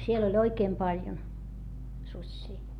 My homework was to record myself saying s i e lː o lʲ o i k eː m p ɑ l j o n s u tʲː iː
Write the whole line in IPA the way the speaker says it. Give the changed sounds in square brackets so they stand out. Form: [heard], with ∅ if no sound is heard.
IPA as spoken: s i e [l] o lʲ o i k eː m p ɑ l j o n s u [sʲː] iː

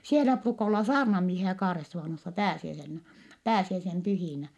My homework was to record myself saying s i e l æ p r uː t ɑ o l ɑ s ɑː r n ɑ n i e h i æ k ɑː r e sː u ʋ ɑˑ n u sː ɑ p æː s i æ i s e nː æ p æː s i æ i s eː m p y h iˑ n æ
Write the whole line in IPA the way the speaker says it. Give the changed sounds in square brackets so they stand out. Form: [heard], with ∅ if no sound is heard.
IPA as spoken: s i e l æ p r uː [k] ɑ o [lː] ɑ s ɑː r n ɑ [m] i e h i æ k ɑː r e sː u ʋ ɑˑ n [o] sː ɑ p æː s i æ i s e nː æ p æː s i æ i s [e] m p y h iˑ n æ

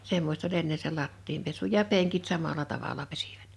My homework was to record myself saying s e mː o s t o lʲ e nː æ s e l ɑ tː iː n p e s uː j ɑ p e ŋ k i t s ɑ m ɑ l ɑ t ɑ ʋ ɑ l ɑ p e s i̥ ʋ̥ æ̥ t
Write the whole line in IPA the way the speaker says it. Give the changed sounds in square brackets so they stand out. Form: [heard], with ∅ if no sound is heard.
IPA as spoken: s e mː o s t o lʲ e nː [e] s e l ɑ tː iː [m] p e s [u] j ɑ p e ŋ k i t s ɑ m ɑ l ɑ t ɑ ʋ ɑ l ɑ p e s i̥ ʋ̥ æ̥ t

